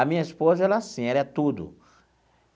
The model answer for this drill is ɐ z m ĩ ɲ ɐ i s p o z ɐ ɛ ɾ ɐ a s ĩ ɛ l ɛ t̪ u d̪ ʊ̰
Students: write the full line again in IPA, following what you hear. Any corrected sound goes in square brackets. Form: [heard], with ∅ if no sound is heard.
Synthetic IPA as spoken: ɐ [∅] m ĩ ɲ ɐ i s p o z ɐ ɛ [l] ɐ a s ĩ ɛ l ɛ t̪ u d̪ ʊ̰